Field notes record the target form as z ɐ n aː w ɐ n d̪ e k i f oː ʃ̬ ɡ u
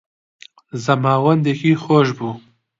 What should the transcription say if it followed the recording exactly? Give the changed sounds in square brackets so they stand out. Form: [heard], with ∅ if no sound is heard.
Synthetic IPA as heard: z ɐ [m] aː w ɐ n d̪ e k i [x] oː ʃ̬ [b] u